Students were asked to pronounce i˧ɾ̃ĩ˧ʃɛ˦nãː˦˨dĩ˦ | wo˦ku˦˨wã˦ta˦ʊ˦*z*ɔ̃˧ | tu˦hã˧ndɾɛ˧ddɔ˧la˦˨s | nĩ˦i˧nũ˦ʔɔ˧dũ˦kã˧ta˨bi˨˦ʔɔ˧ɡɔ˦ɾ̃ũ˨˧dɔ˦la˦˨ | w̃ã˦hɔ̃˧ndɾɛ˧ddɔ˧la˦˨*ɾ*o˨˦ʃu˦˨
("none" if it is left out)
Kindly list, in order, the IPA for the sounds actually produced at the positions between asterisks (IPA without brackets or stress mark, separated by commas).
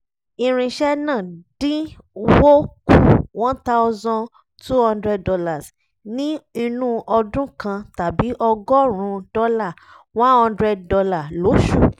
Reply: z, l